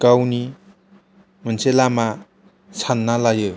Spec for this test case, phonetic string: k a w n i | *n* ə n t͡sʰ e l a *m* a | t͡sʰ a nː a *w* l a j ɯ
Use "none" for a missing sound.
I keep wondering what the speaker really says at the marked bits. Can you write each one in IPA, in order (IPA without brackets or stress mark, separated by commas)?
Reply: m, m, none